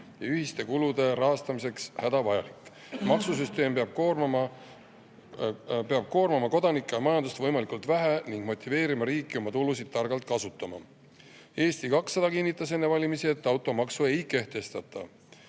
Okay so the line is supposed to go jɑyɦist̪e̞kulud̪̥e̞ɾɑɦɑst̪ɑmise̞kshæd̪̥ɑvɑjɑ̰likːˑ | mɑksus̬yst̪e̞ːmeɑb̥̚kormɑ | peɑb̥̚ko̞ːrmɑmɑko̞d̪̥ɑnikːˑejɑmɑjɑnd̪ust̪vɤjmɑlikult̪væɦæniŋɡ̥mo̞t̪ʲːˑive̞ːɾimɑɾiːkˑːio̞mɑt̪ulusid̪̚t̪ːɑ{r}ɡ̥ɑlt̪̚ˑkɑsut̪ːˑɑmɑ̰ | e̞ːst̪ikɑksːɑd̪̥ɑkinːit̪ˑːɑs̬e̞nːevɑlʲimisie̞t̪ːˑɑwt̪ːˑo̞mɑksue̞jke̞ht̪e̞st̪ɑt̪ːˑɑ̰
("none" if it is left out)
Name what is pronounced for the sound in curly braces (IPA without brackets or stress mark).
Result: r